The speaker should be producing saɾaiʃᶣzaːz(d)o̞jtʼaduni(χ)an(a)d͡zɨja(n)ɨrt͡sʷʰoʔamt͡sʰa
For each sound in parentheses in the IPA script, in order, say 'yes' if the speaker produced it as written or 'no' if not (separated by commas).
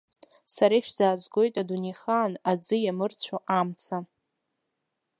no, yes, yes, no